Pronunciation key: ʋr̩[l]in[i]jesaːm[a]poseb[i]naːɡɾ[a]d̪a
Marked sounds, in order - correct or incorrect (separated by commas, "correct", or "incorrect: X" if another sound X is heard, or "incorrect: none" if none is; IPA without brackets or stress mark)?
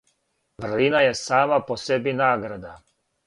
correct, incorrect: a, correct, correct, correct